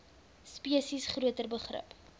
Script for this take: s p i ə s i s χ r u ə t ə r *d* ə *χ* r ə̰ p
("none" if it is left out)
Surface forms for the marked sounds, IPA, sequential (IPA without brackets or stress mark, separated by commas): b, χ